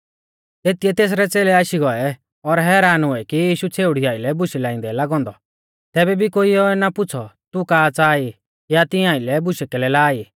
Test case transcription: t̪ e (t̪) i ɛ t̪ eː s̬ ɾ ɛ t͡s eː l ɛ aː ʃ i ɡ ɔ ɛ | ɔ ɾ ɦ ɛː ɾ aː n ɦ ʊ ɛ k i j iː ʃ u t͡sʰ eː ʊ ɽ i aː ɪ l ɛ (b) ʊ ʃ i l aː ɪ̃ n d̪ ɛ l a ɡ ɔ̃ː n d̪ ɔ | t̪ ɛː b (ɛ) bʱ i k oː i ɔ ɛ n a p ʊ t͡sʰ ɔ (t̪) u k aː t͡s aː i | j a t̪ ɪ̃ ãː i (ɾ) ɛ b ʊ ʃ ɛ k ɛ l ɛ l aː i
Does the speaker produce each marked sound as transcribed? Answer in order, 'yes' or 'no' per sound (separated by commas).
yes, yes, yes, yes, no